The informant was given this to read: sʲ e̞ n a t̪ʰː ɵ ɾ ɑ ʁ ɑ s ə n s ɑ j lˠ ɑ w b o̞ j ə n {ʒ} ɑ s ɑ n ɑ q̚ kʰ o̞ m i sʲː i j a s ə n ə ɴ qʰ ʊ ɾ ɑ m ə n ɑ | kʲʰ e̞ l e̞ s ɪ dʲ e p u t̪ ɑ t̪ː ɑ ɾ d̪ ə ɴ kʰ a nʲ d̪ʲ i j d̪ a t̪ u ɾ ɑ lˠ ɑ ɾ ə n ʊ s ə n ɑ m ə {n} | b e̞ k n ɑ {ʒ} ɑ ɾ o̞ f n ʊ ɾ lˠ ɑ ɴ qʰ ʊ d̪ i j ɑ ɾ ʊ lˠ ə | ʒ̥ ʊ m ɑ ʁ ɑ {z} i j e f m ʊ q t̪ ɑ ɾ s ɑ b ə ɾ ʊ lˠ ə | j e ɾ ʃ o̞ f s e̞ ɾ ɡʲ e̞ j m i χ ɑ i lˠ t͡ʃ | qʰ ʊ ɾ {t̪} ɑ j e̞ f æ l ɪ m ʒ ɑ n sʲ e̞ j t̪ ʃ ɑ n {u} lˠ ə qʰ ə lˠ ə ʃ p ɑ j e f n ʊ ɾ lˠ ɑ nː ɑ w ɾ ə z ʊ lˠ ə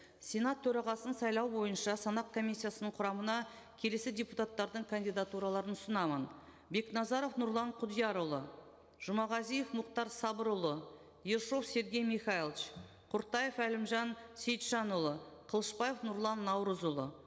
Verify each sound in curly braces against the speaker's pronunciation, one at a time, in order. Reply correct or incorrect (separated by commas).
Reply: incorrect, correct, incorrect, correct, correct, incorrect